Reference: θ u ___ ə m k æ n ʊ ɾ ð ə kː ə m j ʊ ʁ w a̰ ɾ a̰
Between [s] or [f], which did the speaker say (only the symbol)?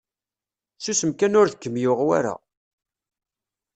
s